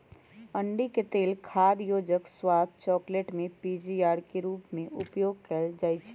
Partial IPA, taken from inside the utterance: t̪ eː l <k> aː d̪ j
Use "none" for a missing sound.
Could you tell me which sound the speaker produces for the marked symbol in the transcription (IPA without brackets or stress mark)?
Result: kʰ